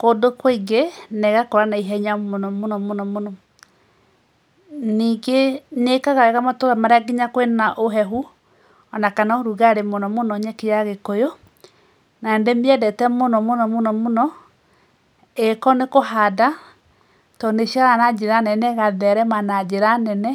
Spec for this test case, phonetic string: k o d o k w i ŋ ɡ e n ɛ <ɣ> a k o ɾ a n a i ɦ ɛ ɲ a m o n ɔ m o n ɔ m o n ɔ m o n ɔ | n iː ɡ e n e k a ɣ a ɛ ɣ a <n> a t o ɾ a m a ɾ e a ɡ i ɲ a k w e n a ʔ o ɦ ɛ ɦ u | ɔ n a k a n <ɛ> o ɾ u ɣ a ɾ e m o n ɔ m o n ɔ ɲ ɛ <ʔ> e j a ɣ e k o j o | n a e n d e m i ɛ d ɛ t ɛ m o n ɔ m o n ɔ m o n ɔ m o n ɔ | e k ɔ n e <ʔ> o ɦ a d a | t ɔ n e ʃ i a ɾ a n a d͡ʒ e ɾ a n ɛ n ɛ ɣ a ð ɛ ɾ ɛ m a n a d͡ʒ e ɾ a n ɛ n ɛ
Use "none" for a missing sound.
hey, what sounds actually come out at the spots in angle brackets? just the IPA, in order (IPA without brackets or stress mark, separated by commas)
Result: ɣ, m, a, k, k